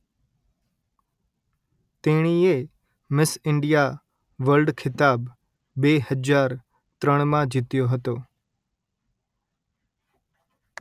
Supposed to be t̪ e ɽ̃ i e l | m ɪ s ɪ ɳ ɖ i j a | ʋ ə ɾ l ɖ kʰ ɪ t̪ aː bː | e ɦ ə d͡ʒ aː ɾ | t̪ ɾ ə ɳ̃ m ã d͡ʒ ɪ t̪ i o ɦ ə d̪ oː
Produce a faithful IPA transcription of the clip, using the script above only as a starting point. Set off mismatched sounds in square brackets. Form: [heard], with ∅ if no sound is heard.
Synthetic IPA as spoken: t̪ e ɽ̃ i e [∅] | m ɪ s ɪ ɳ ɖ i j a | ʋ ə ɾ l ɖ kʰ ɪ t̪ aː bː | e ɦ ə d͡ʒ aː ɾ | t̪ ɾ ə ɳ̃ m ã d͡ʒ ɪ t̪ [j] o ɦ ə [t̪] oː